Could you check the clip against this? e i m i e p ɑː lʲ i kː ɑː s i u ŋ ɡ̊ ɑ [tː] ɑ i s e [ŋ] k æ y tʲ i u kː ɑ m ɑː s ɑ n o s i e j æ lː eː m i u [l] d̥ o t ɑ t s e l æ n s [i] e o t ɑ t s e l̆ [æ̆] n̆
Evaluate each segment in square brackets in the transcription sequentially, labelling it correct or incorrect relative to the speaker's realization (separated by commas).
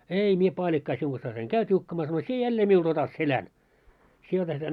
incorrect, correct, correct, correct, correct